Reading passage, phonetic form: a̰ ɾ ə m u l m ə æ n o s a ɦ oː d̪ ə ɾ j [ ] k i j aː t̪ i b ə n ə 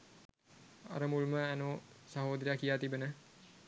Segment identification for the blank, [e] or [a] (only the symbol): a